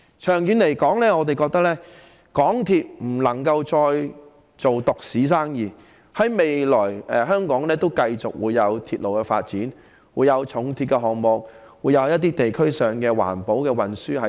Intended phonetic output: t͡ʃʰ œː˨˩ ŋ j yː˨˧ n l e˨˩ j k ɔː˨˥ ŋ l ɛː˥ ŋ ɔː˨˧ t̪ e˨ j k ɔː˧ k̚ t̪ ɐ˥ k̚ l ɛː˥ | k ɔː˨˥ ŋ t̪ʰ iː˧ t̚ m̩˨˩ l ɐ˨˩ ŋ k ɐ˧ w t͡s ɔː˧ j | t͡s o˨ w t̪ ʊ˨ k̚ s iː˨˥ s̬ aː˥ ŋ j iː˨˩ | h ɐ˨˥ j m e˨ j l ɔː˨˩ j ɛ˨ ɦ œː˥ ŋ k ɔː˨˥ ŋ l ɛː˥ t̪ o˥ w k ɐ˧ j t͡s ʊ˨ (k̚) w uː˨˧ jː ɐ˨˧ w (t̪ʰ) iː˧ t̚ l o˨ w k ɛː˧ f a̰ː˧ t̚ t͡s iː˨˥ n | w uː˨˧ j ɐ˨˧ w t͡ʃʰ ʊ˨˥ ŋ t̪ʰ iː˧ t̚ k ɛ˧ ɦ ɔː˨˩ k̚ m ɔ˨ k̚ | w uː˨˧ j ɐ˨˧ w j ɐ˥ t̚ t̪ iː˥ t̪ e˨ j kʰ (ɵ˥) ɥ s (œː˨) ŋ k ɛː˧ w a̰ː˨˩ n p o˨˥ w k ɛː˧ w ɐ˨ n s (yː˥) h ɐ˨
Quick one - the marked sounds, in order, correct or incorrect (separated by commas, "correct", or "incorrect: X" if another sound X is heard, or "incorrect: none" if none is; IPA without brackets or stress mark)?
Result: correct, correct, correct, correct, correct